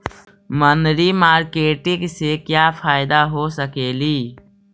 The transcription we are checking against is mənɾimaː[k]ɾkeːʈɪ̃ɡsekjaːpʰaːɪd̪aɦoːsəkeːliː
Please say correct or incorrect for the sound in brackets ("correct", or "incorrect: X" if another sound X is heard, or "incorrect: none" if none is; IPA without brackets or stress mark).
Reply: incorrect: none